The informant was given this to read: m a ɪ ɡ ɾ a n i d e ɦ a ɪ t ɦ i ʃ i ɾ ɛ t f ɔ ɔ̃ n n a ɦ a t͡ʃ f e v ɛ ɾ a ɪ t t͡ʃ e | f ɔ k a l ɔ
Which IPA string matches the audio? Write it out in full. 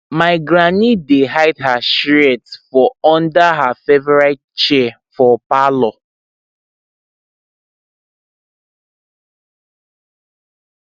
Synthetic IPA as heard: m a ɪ ɡ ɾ a n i d e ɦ a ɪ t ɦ a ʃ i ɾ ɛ t f ɔ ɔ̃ n d a ɦ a f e v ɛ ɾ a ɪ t t͡ʃ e | f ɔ p a l ɔ

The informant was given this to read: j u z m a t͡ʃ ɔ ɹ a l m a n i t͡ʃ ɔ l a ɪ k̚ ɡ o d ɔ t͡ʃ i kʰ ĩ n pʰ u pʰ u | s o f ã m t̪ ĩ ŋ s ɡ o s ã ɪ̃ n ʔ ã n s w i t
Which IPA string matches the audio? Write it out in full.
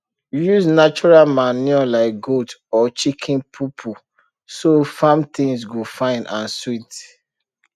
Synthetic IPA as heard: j u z n a t͡ʃ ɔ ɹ a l m a n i ɔ l a ɪ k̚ ɡ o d ɔ t͡ʃ i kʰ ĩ n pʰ u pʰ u | s o f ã m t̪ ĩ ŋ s ɡ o f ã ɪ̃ n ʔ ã n s w i t

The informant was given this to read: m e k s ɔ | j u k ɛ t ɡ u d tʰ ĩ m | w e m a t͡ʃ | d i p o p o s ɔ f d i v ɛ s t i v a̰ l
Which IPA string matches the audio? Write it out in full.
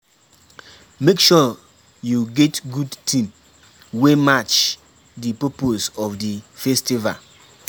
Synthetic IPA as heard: m e k ʃ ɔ | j u ɡ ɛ t ɡ u d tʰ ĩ m | w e m a t͡ʃ | d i p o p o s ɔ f d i f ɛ s t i v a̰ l

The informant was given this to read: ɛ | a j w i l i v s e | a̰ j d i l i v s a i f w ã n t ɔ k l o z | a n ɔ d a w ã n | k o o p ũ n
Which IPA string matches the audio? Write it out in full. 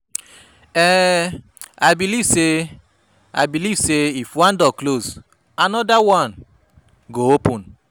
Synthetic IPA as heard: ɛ | a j b i l i v s e | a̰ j b i l i v s e i f w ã n d ɔ k l o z | a n ɔ d a w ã n | ɡ o o p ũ n

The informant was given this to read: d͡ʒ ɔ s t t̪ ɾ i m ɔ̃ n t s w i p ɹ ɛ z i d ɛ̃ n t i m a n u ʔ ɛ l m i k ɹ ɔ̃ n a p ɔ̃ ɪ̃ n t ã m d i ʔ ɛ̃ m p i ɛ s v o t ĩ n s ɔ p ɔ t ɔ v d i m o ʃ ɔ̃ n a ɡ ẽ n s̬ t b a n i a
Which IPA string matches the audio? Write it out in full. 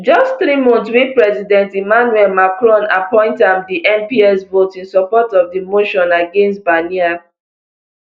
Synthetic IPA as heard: d͡ʒ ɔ s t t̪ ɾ i m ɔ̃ n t s w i p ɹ ɛ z i d ɛ̃ n t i m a n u ɛ l m a k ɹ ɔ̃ n a p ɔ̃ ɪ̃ n t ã m d i ʔ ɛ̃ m p i ɛ s v o t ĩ n s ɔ p ɔ t ɔ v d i m o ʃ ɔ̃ n a ɡ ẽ n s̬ t b a n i a

